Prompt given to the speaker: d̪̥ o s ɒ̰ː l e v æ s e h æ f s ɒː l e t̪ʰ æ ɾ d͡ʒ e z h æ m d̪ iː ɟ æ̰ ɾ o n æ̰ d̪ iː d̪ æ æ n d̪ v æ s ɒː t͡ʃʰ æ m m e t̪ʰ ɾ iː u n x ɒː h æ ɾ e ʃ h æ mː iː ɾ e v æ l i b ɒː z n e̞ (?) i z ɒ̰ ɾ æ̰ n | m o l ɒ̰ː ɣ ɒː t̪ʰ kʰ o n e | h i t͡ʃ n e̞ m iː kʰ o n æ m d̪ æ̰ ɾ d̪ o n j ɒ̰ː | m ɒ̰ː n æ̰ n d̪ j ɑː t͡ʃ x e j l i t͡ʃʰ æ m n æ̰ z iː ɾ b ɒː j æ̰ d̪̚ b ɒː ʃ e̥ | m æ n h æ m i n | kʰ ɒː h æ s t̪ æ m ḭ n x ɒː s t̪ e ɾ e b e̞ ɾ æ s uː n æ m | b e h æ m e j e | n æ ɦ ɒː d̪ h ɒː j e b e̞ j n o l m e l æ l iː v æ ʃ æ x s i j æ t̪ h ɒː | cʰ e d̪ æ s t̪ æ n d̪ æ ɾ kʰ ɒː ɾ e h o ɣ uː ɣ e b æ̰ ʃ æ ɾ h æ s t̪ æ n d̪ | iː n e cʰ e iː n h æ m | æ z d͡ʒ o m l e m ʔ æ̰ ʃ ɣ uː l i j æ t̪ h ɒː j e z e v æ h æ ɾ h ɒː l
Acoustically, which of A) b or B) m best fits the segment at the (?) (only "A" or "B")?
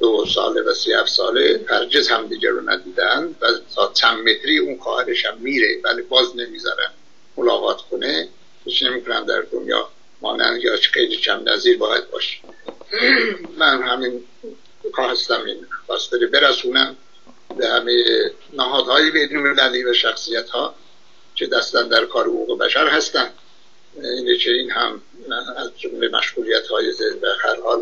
B